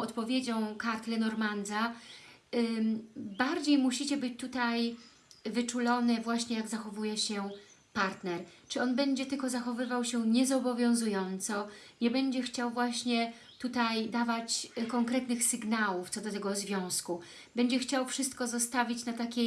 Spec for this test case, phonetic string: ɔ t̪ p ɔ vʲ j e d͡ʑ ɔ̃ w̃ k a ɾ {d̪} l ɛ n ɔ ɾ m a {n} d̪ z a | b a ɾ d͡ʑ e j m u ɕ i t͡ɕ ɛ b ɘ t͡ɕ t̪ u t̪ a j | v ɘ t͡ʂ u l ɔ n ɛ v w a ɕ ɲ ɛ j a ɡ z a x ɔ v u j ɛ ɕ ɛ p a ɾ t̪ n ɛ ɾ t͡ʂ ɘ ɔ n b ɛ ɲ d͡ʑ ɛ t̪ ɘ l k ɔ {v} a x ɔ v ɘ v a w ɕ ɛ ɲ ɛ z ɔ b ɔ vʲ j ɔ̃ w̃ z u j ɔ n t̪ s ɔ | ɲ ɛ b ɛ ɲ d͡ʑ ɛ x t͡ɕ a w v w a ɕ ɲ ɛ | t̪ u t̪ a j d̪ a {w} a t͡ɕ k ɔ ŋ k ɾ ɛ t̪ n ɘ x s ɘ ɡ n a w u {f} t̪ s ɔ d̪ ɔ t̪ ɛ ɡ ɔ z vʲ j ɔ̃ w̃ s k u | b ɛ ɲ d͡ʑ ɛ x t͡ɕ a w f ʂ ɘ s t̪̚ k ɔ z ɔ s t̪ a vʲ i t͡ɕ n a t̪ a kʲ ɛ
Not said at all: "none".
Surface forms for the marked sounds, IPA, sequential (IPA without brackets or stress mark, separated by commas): t̪, n, z, v, f